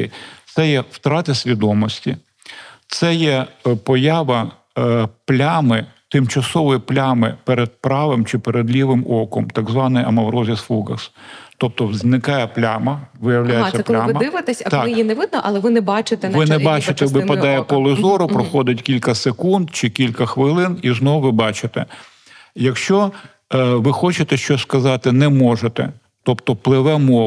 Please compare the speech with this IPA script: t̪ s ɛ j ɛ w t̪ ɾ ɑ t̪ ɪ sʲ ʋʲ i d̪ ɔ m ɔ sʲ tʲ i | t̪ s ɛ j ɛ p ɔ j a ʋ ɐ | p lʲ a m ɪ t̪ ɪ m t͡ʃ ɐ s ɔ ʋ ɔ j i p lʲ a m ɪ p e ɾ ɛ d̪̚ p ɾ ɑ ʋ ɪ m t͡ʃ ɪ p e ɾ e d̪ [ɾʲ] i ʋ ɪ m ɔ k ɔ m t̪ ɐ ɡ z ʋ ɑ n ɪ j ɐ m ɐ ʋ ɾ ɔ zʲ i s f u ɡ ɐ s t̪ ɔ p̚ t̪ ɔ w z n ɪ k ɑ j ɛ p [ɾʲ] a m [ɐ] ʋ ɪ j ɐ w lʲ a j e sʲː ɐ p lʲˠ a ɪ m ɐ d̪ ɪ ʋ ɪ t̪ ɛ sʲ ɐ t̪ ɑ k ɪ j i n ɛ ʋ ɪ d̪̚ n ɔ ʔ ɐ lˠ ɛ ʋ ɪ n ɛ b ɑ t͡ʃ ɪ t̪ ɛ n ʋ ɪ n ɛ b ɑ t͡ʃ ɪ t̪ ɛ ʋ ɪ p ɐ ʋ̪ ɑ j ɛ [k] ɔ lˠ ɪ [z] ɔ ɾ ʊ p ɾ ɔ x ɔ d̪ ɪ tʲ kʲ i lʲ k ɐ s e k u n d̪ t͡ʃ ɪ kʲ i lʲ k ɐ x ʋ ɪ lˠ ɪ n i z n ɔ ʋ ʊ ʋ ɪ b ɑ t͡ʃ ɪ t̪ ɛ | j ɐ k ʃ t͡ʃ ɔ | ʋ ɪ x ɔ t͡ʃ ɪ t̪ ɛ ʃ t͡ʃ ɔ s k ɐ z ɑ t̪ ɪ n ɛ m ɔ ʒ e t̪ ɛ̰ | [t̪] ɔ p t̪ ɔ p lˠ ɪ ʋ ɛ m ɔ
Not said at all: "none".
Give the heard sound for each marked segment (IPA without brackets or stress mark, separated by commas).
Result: lʲ, lʲ, ɐ, p, z, t̪